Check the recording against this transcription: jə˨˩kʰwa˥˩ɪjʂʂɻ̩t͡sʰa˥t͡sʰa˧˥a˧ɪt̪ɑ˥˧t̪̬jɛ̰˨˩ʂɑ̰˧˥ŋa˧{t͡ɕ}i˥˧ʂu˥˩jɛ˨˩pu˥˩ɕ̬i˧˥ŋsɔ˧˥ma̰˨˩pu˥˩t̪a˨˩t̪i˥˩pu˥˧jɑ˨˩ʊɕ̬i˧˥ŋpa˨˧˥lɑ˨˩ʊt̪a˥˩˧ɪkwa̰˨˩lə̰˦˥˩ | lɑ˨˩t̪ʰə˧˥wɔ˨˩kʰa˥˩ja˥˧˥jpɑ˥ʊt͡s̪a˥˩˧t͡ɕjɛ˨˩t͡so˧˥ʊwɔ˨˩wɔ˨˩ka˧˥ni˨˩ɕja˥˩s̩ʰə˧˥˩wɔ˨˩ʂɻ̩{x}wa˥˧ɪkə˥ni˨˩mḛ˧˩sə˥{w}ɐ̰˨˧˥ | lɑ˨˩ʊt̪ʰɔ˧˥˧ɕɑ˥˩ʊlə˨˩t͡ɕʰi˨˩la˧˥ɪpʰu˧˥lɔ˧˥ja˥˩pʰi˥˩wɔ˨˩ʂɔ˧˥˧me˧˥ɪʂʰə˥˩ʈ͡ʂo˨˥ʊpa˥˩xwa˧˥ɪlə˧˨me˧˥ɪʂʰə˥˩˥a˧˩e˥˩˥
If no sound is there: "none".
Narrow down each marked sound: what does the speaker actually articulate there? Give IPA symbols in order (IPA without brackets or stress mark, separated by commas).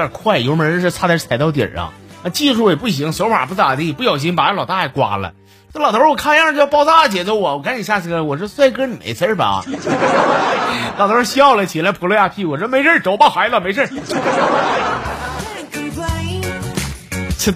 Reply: t͡ɕ, s, b